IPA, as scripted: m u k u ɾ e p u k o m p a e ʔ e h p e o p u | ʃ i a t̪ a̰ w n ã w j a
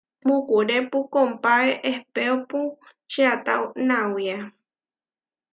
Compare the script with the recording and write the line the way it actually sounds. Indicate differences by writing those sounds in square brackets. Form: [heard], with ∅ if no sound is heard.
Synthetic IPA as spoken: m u k u ɾ e p u k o m p a e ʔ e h p e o p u | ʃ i a t̪ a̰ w n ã w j a